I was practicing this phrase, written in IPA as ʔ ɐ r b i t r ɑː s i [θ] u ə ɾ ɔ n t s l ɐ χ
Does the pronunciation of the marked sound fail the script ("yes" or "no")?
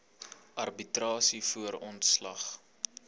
yes